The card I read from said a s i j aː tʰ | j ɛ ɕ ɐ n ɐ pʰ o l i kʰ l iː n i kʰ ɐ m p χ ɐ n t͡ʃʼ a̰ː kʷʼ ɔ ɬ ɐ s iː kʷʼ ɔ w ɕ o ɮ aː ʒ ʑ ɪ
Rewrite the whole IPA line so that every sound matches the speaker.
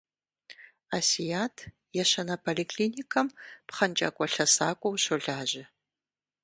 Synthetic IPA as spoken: a s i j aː tʰ | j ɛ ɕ ɐ n ɐ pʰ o l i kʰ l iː n i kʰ ɐ m p χ ɐ n t͡ʃʼ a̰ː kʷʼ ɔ ɬ ɐ s aː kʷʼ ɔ w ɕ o ɮ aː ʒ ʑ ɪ